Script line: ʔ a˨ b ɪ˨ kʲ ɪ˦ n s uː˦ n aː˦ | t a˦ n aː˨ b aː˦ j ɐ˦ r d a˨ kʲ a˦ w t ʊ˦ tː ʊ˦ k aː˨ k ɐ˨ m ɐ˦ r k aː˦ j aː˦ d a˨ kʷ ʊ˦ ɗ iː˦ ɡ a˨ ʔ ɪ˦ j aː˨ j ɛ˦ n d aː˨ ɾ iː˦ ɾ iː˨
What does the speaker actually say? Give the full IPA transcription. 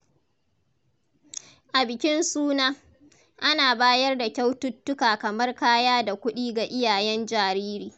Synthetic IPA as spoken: ʔ a˨ b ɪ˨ kʲ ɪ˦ n s uː˦ n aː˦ | ʔ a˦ n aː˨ b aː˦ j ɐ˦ r d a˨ kʲ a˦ w t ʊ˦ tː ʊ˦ k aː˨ k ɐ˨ m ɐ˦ r k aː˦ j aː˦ d a˨ kʷ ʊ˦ ɗ iː˦ ɡ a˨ ʔ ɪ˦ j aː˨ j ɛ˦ n d͡ʒ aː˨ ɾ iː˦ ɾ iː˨